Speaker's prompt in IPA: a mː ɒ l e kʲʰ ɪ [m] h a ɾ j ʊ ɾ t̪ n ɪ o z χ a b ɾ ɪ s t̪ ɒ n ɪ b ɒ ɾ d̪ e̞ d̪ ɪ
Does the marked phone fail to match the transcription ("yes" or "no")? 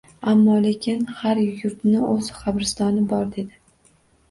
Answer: yes